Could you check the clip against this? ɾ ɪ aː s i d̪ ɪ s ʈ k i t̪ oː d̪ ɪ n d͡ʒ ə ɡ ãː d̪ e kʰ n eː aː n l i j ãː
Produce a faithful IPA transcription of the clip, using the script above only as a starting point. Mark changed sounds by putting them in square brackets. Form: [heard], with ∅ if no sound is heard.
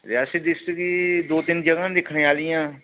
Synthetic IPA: ɾ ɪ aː s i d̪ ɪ s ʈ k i [d̪] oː [t̪] ɪ n d͡ʒ ə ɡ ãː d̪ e kʰ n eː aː [∅] l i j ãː